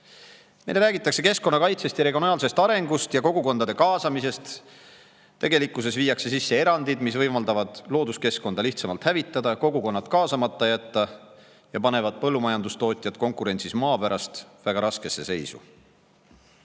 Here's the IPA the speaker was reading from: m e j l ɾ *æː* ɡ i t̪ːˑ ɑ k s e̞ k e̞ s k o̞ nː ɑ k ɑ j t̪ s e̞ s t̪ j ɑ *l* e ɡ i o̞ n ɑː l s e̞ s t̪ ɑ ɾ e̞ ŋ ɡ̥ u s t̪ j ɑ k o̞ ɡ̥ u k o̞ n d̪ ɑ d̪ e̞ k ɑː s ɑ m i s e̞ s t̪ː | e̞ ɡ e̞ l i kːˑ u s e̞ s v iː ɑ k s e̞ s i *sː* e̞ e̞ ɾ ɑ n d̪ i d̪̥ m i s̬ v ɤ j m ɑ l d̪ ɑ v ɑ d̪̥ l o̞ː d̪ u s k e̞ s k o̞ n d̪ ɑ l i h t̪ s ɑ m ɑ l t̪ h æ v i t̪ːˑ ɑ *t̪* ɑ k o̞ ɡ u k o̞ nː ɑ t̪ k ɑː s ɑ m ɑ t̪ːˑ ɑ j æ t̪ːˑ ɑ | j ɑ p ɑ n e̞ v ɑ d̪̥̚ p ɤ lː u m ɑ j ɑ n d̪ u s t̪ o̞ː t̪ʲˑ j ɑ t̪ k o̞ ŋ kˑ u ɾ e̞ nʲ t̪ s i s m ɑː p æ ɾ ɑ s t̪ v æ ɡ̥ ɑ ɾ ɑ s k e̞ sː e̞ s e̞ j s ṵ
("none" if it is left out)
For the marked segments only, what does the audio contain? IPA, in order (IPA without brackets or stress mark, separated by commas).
æː, ɾ, sː, d̪